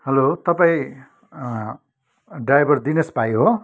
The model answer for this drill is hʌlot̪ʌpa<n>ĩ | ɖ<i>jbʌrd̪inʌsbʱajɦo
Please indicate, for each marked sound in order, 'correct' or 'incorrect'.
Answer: incorrect, incorrect

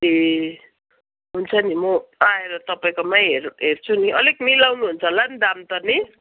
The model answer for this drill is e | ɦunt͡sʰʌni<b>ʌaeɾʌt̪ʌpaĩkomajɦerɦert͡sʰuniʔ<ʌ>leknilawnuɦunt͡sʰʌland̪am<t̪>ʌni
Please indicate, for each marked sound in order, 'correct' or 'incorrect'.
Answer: incorrect, correct, correct

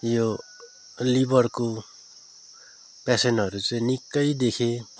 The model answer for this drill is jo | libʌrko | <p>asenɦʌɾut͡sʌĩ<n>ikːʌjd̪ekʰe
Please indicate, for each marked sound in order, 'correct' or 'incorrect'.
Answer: correct, correct

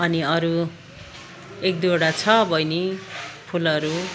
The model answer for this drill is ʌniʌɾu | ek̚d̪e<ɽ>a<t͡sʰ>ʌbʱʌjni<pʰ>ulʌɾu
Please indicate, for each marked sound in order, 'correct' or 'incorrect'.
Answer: correct, correct, correct

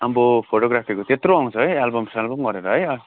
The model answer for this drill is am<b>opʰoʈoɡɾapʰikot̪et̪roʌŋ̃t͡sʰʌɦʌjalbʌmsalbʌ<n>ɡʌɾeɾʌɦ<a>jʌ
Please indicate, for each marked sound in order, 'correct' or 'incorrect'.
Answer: correct, incorrect, incorrect

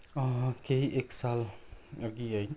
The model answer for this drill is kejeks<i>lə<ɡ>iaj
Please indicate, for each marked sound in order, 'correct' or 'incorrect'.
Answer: incorrect, correct

